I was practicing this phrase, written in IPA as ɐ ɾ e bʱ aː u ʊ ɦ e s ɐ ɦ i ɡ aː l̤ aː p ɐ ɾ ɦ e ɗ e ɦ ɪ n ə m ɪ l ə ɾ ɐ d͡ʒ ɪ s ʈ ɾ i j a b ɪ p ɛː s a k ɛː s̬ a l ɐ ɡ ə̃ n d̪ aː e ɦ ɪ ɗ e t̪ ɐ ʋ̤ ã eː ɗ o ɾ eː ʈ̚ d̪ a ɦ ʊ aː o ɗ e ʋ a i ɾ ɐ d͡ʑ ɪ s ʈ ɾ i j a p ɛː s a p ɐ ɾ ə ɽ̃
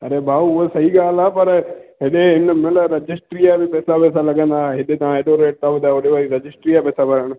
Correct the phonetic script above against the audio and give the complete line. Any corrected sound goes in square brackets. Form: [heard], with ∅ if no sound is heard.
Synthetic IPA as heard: ɐ ɾ e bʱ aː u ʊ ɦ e s ɐ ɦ i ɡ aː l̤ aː p ɐ ɾ ɦ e ɗ e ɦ ɪ n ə m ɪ l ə ɾ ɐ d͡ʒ ɪ s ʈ ɾ i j a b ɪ p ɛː s a [p] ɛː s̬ a l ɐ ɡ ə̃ n d̪ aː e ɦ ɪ ɗ e t̪ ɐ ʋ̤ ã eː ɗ o ɾ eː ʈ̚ [t̪] a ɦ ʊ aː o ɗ e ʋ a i ɾ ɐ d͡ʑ ɪ s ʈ ɾ i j a p ɛː s a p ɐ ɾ ə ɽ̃